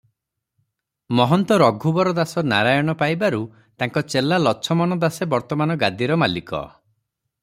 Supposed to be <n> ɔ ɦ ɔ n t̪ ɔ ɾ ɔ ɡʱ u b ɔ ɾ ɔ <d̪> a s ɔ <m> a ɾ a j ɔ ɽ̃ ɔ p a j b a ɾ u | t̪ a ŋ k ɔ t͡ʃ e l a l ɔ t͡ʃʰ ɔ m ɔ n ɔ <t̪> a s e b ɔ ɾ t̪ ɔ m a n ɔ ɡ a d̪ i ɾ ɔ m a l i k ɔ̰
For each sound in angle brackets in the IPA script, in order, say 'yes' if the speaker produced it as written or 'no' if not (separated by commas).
no, yes, no, no